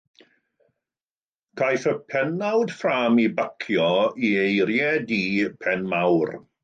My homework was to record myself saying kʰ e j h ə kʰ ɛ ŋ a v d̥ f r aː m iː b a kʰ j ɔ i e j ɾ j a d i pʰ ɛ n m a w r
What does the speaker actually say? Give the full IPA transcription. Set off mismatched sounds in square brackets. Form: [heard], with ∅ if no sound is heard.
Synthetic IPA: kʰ [a] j [θ] ə [pʰ] ɛ [n] a [w] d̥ f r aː m [i] b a kʰ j ɔ i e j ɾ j [ɛ] d i pʰ ɛ n m a w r